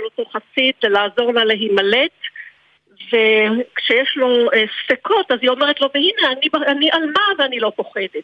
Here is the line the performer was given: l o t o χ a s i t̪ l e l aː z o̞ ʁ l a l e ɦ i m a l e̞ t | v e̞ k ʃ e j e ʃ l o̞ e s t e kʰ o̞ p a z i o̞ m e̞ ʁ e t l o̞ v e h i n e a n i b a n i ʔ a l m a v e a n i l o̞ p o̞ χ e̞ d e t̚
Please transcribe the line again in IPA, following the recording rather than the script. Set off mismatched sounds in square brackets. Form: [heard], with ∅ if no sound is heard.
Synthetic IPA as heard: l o t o χ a s i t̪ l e l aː z o̞ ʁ l a l e ɦ i m a l e̞ t | v e̞ k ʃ e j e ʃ l o̞ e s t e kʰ o̞ [t] a z i o̞ m e̞ ʁ e t l o̞ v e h i n e a n i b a n i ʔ a l m a v e a n i l o̞ p o̞ χ e̞ d e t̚